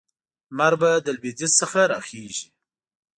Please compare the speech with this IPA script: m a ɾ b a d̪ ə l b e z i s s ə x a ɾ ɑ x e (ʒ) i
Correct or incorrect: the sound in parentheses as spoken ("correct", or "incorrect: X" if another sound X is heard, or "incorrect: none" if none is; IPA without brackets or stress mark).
correct